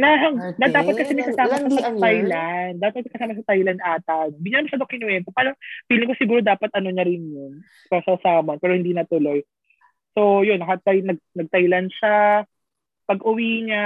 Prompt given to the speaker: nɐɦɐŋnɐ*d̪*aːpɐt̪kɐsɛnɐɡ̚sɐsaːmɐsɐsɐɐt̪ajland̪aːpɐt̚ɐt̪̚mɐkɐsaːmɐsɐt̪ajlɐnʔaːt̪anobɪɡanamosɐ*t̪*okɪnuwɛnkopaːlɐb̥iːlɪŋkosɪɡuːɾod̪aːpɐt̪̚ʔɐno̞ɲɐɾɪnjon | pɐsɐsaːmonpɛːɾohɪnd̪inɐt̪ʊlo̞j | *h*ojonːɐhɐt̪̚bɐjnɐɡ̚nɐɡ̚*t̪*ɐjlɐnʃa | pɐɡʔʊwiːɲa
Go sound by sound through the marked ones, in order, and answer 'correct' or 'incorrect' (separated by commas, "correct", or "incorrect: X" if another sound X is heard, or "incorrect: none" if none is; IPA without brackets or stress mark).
correct, incorrect: d̪, incorrect: s, correct